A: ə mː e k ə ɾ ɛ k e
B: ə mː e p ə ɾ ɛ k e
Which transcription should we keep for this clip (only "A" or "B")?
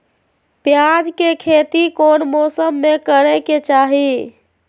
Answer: A